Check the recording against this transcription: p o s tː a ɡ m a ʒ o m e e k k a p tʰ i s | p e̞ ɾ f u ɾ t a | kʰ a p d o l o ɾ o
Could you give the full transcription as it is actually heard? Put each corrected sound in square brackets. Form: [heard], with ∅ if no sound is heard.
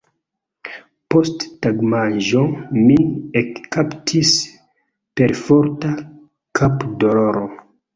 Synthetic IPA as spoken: p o s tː a ɡ m a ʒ o m [i] e k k a p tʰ i s | p e̞ ɾ f [o] ɾ t a | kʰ a p d o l o ɾ o